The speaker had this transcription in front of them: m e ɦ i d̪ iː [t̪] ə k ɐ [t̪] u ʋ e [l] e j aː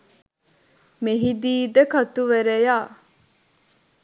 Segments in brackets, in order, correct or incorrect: incorrect, correct, incorrect

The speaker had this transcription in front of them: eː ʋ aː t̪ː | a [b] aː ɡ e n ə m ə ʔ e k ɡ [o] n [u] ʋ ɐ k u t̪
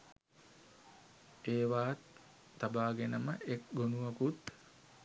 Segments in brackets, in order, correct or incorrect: correct, correct, correct

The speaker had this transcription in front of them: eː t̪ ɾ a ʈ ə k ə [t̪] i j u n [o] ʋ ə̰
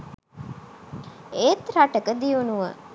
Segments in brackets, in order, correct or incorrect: incorrect, incorrect

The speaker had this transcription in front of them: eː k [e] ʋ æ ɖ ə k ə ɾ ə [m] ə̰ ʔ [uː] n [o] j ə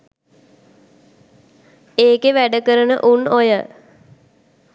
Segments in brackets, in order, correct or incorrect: correct, incorrect, incorrect, correct

